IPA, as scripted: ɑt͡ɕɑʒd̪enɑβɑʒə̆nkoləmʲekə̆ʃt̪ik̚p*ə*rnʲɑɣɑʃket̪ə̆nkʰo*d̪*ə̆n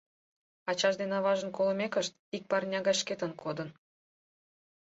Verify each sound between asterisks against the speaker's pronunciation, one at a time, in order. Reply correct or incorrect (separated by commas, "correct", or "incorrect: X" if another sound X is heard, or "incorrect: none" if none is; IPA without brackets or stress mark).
incorrect: ɑ, correct